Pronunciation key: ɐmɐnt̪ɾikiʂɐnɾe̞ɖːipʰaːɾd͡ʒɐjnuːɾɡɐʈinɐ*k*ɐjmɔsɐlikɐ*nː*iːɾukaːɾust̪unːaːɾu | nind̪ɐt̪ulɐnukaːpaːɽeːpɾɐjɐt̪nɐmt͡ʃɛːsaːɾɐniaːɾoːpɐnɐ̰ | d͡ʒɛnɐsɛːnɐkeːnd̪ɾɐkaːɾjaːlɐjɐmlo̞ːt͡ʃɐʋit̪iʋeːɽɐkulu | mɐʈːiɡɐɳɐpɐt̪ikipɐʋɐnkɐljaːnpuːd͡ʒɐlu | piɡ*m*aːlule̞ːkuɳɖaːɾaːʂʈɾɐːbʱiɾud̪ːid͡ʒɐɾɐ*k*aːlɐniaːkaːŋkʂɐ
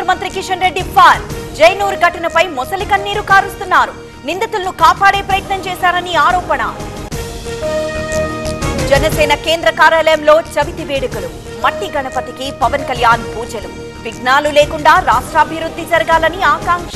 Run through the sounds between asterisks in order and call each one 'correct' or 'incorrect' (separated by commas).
incorrect, correct, incorrect, incorrect